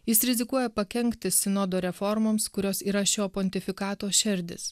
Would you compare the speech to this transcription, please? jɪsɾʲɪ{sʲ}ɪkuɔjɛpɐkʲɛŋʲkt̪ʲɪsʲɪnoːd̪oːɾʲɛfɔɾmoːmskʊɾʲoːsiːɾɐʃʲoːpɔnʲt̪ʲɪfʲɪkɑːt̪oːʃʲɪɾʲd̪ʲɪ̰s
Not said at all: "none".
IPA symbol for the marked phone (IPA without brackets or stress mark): zʲ